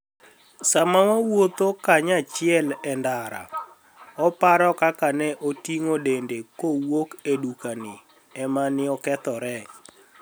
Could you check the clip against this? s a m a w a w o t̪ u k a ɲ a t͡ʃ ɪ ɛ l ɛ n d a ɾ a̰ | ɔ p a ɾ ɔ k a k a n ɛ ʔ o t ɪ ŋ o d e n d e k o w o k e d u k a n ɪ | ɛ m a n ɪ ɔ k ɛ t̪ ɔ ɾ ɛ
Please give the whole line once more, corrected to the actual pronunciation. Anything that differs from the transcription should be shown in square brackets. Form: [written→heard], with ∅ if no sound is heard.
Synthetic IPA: s a m a w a w o t̪ [u→o] k a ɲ a t͡ʃ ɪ ɛ l ɛ n d a ɾ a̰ | ɔ p a ɾ ɔ k a k a n ɛ ʔ o t [ɪ→i] ŋ o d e n d e k o w o k e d u k a n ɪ | ɛ m a n ɪ ɔ k ɛ t̪ ɔ ɾ ɛ